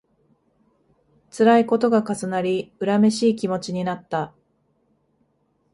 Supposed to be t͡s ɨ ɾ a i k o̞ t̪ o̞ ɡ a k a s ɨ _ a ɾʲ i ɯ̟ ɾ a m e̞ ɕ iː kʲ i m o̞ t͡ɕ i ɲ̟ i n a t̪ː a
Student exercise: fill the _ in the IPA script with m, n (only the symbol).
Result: n